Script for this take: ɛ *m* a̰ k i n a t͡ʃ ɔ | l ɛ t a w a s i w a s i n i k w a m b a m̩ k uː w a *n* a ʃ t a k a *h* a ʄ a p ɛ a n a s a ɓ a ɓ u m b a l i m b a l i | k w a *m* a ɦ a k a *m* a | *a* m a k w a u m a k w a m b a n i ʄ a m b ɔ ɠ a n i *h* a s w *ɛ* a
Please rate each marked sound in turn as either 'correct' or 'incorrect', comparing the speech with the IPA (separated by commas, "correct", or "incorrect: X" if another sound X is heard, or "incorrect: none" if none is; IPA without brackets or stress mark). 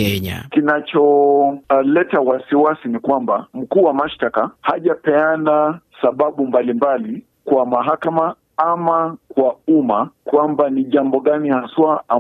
incorrect: ɲ, incorrect: m, correct, correct, correct, correct, correct, incorrect: a